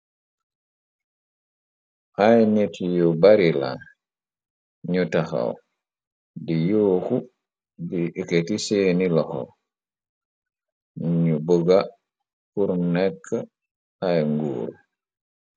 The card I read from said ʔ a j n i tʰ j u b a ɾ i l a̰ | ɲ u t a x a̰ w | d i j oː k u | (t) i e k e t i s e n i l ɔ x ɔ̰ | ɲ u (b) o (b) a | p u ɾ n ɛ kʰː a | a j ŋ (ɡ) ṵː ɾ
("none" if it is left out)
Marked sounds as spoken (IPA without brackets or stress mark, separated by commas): d, b, ɡ, ɡ